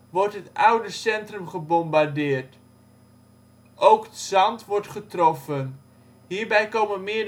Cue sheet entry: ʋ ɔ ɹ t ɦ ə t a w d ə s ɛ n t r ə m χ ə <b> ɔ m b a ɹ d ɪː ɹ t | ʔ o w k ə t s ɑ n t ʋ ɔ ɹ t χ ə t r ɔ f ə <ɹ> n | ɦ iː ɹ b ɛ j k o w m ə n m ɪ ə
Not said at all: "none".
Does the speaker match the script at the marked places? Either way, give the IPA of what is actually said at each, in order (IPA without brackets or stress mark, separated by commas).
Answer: b, none